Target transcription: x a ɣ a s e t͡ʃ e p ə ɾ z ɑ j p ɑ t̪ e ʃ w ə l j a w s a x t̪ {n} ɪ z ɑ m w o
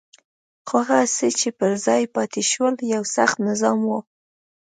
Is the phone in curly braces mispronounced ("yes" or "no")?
no